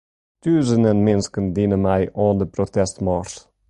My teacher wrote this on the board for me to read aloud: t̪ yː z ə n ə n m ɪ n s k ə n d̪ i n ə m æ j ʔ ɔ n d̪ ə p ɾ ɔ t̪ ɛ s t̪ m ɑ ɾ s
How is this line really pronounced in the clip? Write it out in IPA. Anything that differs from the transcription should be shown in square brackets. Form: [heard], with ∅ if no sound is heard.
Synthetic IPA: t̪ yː z ə n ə n m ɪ n s k ə n d̪ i n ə m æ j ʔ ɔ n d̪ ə p ɾ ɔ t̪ ɛ s t̪ m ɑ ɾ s